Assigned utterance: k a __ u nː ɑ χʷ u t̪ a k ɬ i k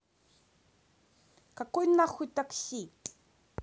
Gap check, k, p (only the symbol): k